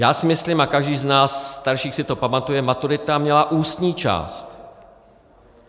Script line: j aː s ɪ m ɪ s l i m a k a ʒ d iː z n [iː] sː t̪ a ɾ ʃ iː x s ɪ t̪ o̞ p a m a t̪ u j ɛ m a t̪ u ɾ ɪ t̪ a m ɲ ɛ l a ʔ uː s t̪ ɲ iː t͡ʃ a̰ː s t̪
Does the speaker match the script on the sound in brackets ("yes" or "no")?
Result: no